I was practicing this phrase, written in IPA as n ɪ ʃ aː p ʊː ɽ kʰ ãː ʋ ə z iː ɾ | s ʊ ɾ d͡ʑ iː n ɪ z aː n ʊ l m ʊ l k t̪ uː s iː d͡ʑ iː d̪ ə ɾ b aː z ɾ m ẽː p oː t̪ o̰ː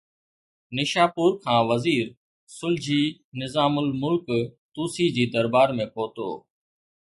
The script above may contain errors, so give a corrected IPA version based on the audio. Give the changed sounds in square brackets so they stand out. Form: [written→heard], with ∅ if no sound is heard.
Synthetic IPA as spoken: n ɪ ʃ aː p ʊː [ɽ→ɾ] kʰ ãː ʋ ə z iː ɾ | s ʊ [ɾ→l] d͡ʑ iː n ɪ z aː [n→m] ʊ l m ʊ l k t̪ uː s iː d͡ʑ iː d̪ ə ɾ b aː [z→∅] ɾ m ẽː p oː t̪ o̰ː